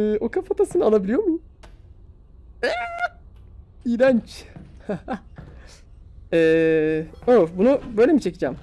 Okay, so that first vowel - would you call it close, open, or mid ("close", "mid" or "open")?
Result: mid